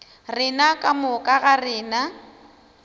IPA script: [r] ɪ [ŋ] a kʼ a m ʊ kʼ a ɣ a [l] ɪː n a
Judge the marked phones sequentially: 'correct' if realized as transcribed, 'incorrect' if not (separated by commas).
correct, incorrect, incorrect